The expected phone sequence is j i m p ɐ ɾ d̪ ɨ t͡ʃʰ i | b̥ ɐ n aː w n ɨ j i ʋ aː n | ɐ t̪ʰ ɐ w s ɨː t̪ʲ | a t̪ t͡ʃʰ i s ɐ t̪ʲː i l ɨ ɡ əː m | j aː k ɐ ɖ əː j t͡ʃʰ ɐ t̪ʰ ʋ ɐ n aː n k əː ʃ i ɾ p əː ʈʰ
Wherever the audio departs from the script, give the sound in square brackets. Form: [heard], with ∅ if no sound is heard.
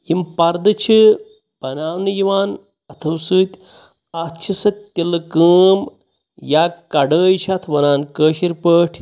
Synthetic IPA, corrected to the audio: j i m p ɐ ɾ d̪ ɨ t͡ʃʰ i | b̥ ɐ n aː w n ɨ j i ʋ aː n | ɐ t̪ʰ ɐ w s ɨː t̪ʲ | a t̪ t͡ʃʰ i s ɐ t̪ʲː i l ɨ [k] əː m | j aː k ɐ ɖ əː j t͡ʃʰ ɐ t̪ʰ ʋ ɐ n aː n k əː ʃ i ɾ p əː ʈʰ